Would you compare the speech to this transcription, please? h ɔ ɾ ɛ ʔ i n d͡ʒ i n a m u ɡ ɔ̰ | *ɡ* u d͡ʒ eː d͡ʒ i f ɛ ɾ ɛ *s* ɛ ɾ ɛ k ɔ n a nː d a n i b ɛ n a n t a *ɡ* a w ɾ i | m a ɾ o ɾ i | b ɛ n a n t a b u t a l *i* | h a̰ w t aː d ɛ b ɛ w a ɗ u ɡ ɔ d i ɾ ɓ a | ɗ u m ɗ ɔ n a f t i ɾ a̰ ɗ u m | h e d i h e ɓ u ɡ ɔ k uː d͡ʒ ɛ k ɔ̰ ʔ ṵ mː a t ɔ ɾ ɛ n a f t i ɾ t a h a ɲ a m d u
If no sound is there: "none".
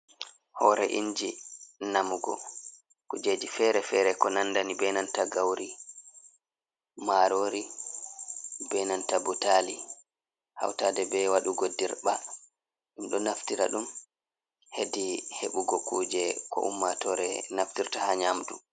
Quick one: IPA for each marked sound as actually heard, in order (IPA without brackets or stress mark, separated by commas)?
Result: k, f, ɡ, i